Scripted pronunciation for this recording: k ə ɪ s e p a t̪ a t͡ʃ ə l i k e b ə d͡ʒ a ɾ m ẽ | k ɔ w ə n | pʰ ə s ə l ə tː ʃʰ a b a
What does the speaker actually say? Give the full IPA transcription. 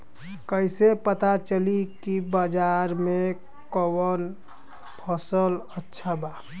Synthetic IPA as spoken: k ə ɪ s e p ə t̪ a t͡ʃ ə l i k i b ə d͡ʒ a ɾ m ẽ | k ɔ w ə n | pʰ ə s ə l ə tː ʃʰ a b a